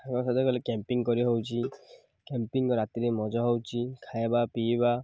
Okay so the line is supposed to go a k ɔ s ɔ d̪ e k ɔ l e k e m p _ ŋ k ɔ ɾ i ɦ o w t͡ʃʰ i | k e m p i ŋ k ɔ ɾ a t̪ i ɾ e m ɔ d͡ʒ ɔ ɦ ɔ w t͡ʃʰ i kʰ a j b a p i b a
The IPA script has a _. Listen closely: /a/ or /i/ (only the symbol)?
i